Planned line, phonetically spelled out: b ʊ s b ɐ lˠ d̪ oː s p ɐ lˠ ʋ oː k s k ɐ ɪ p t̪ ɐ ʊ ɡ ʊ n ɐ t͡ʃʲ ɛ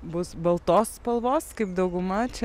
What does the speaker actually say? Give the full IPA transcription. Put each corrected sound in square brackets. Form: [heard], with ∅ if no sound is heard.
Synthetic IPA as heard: b ʊ s b ɐ lˠ [t̪] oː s p ɐ lˠ ʋ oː [∅] s k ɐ ɪ p [d̪] ɐ ʊ ɡ ʊ [m] ɐ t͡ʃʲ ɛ